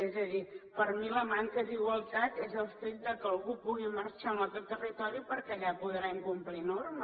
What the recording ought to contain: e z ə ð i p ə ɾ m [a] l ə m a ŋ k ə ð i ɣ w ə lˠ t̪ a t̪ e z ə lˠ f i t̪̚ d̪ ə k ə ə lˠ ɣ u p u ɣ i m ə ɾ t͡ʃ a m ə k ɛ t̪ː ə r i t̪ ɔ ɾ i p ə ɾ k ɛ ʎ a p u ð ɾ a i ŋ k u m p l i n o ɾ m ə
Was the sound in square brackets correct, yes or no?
no